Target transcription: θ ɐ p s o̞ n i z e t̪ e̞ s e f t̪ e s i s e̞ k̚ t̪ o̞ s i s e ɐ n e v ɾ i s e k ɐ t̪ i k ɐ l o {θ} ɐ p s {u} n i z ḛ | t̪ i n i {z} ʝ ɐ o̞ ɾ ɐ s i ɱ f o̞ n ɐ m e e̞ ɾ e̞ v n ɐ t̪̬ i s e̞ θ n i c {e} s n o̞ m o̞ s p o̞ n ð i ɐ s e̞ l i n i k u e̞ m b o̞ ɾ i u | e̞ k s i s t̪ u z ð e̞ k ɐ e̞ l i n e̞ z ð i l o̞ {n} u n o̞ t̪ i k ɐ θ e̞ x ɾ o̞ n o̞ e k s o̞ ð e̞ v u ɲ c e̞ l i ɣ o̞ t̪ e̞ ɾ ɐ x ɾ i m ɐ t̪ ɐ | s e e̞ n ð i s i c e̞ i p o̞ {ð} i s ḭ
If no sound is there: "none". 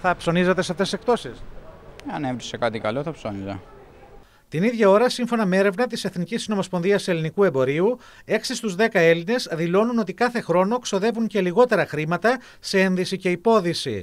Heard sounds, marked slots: θ, o, ð, i, n, ð

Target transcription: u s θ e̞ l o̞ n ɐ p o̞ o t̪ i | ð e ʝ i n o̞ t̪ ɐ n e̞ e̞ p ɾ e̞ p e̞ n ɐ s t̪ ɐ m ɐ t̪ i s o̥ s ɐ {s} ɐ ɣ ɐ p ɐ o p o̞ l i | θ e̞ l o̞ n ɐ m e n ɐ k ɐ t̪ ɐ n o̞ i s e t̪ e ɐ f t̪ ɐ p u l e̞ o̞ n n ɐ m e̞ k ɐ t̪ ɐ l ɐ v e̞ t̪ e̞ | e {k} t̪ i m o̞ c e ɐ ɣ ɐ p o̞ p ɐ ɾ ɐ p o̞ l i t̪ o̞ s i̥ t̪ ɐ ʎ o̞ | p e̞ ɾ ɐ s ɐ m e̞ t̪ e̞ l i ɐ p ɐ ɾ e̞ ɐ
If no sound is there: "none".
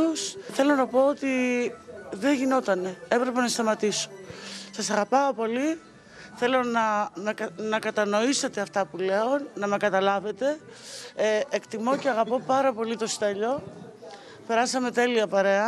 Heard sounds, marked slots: s, k

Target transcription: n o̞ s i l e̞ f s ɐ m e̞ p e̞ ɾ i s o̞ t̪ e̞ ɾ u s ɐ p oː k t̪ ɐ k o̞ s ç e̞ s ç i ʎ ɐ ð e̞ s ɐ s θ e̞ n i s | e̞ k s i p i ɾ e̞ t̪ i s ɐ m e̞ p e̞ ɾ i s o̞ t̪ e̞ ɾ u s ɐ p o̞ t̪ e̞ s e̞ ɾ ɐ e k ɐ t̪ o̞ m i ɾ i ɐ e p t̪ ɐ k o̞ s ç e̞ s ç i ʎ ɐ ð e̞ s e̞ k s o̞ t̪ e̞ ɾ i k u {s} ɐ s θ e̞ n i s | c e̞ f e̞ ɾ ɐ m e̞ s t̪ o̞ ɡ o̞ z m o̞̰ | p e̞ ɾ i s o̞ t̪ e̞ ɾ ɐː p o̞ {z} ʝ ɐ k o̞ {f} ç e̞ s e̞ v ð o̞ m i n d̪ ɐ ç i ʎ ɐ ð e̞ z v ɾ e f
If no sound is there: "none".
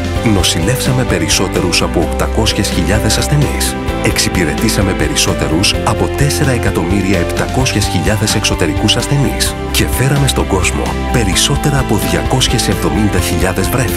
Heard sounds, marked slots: s, ð, s

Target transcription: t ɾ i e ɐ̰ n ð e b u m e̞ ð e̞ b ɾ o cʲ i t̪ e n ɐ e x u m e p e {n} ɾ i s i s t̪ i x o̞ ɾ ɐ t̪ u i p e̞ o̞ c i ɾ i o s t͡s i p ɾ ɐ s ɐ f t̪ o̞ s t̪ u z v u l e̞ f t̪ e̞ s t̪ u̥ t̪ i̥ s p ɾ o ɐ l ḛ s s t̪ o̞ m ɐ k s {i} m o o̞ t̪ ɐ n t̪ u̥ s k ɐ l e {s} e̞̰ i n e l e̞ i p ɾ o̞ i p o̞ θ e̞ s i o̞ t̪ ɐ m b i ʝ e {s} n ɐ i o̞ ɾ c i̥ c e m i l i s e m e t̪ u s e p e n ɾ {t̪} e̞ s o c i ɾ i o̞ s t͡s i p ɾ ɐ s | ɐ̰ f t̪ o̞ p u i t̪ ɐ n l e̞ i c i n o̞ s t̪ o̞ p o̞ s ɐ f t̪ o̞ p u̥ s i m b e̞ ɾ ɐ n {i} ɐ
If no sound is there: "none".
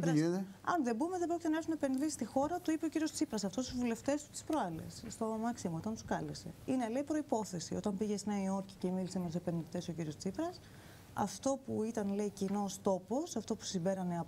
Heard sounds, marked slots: n, i, s, s, t̪, e

